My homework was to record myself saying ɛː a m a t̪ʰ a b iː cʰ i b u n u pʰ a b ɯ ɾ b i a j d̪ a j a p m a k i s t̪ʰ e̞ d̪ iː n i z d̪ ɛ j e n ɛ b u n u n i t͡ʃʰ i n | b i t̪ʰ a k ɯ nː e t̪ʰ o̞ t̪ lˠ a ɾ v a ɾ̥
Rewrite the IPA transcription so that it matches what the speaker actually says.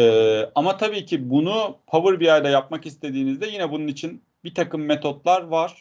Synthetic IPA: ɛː a m a t̪ʰ a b iː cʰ i b u n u pʰ a v ɯ ɾ b i a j d̪ a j a p m a k i s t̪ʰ e̞ d̪ iː n i z d̪ ɛ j i n ɛ b u n u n i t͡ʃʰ i n | b i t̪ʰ a k ɯ mː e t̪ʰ o̞ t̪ lˠ a ɾ v a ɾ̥